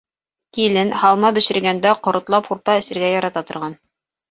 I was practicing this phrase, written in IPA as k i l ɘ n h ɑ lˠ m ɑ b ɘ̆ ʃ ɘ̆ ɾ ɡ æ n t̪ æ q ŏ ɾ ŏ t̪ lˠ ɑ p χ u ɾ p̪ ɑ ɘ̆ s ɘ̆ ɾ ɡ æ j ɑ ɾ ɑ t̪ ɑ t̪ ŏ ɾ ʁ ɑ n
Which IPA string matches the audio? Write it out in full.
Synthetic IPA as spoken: k i l ɘ n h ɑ lˠ m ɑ b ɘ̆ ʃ ɘ̆ ɾ ɡ æ n d̪ æ q ŏ ɾ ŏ t̪ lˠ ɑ p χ u ɾ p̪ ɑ ɘ̆ s ɘ̆ ɾ ɡ æ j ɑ ɾ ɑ t̪ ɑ t̪ ŏ ɾ ʁ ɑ n